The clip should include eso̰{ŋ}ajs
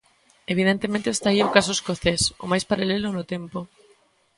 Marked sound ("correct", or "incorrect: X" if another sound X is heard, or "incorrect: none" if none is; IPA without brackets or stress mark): incorrect: m